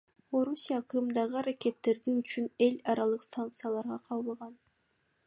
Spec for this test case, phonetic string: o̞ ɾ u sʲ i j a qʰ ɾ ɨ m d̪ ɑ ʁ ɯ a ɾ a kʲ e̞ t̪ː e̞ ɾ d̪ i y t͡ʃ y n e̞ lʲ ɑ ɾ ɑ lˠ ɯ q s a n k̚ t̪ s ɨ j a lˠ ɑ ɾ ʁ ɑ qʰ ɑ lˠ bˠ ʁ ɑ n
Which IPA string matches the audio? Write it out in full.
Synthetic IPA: o̞ ɾ u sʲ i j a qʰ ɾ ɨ m d̪ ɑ ʁ ɯ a ɾ a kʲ e̞ t̪ː e̞ ɾ d̪ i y t͡ʃ y n e̞ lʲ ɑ ɾ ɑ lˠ ɯ q s a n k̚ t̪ s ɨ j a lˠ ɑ ɾ ʁ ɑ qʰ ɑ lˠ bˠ ʁ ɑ n